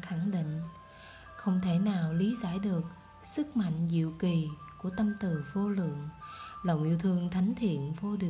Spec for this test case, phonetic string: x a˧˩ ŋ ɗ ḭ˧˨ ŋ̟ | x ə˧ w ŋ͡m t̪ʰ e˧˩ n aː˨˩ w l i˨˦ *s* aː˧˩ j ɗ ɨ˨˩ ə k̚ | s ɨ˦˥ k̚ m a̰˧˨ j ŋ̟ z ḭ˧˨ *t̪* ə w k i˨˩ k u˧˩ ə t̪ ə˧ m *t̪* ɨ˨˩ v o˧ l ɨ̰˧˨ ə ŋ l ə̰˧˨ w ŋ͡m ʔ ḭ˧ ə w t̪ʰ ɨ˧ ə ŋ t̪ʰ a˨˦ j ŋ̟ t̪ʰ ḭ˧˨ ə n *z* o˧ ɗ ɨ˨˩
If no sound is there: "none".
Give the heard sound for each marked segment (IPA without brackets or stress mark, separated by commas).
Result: z, none, t̪, v